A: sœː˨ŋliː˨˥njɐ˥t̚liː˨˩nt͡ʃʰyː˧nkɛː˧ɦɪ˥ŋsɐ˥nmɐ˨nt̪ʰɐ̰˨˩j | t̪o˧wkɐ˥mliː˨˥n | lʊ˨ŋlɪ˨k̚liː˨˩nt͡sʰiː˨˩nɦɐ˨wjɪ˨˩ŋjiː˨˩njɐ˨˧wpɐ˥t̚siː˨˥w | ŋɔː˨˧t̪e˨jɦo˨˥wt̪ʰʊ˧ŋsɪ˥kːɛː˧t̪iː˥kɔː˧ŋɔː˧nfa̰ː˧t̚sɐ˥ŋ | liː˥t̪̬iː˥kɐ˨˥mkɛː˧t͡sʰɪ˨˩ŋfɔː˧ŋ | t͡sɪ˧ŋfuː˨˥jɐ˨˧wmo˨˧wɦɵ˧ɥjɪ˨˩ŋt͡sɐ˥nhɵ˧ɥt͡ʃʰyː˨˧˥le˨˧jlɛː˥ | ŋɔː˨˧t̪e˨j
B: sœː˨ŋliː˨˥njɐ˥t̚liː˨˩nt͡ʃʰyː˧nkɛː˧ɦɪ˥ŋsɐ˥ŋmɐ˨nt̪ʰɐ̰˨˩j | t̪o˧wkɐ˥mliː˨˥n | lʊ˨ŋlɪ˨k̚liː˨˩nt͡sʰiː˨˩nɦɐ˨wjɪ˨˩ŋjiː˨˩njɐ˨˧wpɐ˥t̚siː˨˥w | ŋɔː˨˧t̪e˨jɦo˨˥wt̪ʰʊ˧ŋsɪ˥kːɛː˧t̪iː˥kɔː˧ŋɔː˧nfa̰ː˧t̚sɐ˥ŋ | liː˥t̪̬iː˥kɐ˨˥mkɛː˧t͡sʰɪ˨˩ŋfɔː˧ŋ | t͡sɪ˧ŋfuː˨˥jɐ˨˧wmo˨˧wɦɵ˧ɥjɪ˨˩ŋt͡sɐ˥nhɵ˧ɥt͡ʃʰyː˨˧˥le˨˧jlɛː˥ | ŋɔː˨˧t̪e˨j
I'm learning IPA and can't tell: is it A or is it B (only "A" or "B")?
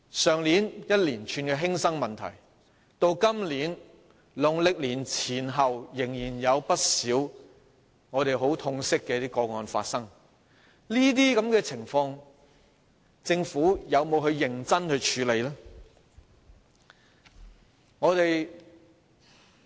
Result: B